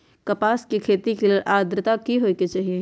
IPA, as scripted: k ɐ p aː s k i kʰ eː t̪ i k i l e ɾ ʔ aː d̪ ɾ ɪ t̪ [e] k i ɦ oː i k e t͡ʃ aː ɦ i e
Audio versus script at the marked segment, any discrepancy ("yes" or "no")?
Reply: yes